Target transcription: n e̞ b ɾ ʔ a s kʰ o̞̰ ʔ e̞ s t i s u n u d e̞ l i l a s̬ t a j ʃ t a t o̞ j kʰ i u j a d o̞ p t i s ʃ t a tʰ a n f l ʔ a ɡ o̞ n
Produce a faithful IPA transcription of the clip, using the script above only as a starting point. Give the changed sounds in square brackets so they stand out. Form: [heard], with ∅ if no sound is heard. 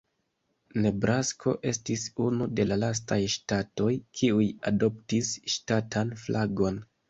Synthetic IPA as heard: n e̞ b ɾ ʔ a s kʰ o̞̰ ʔ e̞ s t i s u n u d e̞ l [a] l a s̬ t a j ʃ t a t o̞ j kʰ i u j a d o̞ p t i s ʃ t a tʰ a n f l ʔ a ɡ o̞ n